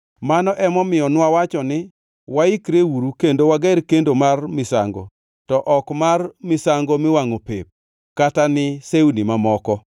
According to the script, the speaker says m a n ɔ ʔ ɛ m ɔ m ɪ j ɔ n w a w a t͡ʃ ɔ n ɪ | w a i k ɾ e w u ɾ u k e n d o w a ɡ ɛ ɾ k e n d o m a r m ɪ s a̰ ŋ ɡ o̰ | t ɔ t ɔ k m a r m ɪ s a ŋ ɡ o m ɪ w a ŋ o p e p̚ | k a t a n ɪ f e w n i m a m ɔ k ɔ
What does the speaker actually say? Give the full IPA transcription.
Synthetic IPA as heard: m a n ɔ ʔ ɛ m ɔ m ɪ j ɔ n w a w a t͡ʃ ɔ n ɪ | w a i k ɾ e w u ɾ u k e n d o w a ɡ ɛ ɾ k e n d o m a r m ɪ s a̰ ŋ ɡ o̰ | t ɔ ʔ ɔ k m a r m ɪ s a ŋ ɡ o m ɪ w a ŋ o p e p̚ | k a t a n ɪ s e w n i m a m ɔ k ɔ

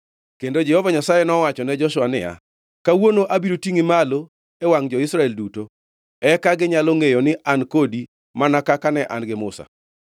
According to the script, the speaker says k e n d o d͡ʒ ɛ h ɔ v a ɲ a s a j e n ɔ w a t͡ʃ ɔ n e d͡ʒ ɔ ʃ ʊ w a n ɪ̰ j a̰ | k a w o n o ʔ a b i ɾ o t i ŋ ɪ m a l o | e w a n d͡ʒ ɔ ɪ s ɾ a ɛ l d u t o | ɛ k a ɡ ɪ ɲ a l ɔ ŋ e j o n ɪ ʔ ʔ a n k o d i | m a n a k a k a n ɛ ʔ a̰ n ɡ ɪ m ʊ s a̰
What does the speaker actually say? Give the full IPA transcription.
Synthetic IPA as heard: k e n d o d͡ʒ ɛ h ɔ v a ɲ a s a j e n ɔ w a t͡ʃ ɔ n ɛ d͡ʒ ɔ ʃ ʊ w a n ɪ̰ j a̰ | k a w o n o ʔ a b i ɾ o t i ŋ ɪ m a l o | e w a ŋ d͡ʒ ɔ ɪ s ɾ a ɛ l d u t o | ɛ k a ɡ ɪ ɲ a l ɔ ŋ e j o n ɪ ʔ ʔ a n k o d i | m a n a k a k a n ɛ ʔ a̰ n ɡ ɪ m ʊ s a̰

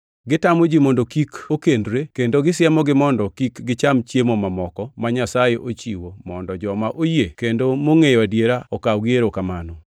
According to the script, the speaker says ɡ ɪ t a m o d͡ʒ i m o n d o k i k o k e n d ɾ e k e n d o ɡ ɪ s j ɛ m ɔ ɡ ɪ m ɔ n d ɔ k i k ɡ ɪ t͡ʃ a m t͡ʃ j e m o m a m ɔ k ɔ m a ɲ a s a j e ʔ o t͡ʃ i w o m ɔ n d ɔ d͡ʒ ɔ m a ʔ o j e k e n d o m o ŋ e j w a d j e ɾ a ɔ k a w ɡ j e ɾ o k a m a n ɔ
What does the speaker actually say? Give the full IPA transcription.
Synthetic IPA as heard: ɡ ɪ t a m o d͡ʒ i m o n d o k i k o k e n d ɾ e k e n d o ɡ ɪ s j ɛ m ɔ ɡ ɪ m ɔ n d ɔ k i k ɡ ɪ t͡ʃ a m t͡ʃ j e m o m a m ɔ k ɔ m a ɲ a s a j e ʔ o t͡ʃ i w o m ɔ n d ɔ d͡ʒ ɔ m a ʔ o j e k e n d o m o ŋ e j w a d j e ɾ a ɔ k a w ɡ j e ɾ o k a m a n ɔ

